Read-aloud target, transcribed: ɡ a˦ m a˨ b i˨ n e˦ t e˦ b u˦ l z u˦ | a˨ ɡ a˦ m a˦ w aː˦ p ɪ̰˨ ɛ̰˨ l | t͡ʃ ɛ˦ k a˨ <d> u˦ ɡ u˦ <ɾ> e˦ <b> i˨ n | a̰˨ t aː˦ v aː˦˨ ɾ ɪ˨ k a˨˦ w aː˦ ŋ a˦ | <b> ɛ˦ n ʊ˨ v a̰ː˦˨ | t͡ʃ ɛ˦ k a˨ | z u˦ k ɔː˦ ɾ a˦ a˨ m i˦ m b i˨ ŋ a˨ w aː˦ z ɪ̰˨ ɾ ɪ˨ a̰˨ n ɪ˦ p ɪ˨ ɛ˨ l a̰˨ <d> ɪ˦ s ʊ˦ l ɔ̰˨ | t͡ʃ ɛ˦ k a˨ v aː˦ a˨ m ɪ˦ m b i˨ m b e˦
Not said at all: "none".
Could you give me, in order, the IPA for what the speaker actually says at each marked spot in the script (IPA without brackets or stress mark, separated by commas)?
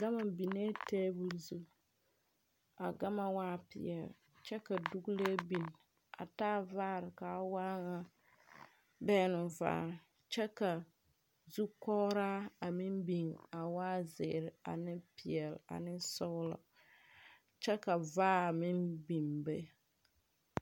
d, l, b, b, n